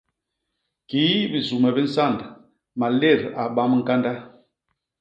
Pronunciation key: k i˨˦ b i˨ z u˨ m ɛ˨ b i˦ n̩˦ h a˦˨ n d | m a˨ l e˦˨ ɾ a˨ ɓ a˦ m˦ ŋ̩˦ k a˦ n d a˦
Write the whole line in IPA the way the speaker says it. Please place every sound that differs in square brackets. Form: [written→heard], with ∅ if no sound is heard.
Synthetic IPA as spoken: k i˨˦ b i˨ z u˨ m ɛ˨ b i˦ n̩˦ [h→s] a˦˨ n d | m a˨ l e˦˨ ɾ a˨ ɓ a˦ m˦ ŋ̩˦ k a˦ n d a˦